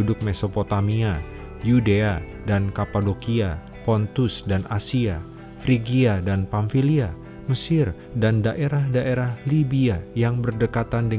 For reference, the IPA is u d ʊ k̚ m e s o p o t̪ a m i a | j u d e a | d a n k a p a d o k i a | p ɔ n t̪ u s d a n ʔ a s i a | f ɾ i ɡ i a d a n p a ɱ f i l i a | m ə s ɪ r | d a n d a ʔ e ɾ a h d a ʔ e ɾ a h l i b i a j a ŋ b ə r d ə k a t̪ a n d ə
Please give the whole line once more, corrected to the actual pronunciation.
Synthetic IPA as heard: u d ʊ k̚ m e s o p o t̪ a m i a | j u d e a | d a n k a p a d o k i a | p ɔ n t̪ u s d a n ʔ a s i a | f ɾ i ɡ i a d a n p a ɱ f i l i a | m ə s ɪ r | d a n d a ʔ e ɾ a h d a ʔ e ɾ a h l i b i a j a ŋ b ə r d ə k a t̪ a n d ə